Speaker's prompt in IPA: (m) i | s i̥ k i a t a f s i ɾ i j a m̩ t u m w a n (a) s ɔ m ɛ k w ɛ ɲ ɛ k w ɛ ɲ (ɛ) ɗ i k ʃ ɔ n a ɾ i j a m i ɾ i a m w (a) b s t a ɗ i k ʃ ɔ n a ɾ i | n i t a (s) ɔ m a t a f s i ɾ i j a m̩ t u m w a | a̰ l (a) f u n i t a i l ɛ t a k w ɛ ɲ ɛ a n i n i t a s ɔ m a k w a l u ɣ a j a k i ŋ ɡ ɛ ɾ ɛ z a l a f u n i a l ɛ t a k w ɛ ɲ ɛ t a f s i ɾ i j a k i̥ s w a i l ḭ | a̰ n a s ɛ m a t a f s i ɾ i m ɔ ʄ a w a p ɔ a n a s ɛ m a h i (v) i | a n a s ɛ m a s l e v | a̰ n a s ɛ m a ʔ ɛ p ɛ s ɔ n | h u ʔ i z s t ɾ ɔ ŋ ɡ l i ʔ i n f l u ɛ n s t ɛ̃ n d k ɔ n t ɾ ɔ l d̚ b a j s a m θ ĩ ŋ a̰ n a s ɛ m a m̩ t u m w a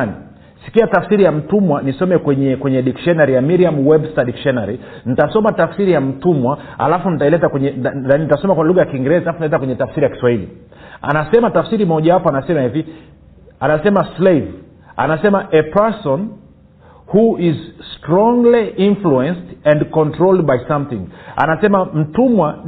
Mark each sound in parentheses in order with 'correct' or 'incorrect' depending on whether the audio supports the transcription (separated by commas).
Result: incorrect, incorrect, correct, incorrect, correct, correct, correct